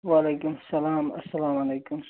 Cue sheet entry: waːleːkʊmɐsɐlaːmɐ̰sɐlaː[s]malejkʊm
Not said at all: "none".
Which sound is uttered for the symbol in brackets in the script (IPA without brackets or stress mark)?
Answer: none